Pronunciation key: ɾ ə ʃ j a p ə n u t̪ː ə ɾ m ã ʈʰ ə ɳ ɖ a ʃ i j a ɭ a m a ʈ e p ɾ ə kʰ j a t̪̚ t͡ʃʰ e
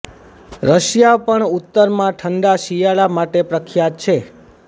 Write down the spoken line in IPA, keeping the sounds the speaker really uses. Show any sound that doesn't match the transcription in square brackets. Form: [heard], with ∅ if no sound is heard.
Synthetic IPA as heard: ɾ ə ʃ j a p ə [ɳ] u t̪ː ə ɾ m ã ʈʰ ə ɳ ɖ a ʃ i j a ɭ a m a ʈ e p ɾ ə kʰ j a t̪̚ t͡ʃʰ e